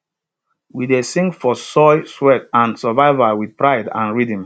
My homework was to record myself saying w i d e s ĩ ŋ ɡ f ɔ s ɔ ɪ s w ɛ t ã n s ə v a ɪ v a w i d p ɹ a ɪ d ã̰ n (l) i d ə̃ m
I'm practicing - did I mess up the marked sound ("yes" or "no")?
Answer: yes